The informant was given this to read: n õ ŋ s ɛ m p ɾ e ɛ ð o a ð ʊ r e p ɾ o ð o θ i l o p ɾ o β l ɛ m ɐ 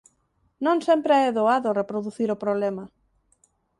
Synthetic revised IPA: n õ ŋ s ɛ m p ɾ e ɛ ð o a ð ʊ r e p ɾ o ð u θ i ɾ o p ɾ o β l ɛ m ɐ